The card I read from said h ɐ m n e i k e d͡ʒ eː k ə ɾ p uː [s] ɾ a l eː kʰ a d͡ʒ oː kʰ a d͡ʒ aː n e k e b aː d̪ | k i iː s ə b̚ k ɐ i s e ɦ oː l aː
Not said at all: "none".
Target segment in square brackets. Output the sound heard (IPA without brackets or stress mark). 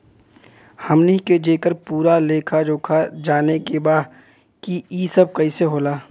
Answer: none